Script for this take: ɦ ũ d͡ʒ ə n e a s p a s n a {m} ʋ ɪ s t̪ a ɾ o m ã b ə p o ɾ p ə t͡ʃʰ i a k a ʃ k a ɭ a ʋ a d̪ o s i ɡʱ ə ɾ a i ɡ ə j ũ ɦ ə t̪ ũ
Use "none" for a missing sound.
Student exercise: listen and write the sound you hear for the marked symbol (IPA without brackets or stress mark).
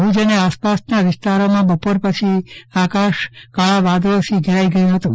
none